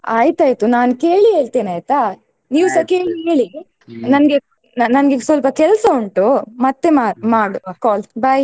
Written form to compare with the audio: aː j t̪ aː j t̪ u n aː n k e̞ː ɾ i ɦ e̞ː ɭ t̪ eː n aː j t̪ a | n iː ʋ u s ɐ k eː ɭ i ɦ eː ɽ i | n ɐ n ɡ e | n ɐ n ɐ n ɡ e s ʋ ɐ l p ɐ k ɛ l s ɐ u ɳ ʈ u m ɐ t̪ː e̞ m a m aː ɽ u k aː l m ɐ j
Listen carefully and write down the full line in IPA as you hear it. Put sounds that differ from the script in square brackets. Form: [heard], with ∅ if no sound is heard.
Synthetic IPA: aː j t̪ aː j t̪ u n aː n k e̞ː [ɭ] i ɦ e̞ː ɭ t̪ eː n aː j t̪ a | n iː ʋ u s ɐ k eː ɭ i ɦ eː [ɭ] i | n ɐ n ɡ e | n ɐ n ɐ n ɡ e s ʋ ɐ l p ɐ k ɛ l s ɐ u ɳ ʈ u m ɐ t̪ː e̞ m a m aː ɽ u k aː l [b] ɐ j